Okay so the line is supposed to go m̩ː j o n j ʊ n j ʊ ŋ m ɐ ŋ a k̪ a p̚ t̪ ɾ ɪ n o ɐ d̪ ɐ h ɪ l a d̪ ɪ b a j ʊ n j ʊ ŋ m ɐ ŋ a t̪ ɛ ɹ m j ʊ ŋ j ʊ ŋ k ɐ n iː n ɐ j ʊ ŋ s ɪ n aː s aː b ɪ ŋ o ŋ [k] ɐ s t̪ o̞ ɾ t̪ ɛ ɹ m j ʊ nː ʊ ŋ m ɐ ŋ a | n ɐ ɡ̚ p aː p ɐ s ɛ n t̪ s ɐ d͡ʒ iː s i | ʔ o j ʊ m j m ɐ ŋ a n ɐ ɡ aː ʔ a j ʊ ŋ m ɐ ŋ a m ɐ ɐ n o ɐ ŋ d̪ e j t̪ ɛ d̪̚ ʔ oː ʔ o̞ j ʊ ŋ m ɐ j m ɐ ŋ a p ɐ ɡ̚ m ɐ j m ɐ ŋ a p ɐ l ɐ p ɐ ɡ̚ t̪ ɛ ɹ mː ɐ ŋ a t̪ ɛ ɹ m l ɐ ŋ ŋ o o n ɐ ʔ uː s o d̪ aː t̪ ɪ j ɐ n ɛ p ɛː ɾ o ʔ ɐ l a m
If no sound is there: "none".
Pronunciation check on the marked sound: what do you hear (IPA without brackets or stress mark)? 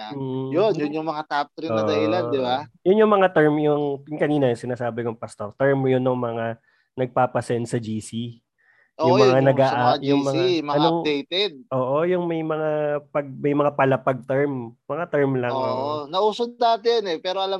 p